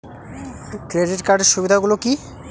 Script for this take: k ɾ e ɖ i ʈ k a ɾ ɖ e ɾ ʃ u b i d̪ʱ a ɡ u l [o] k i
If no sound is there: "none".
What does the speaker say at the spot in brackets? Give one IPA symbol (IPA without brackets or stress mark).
o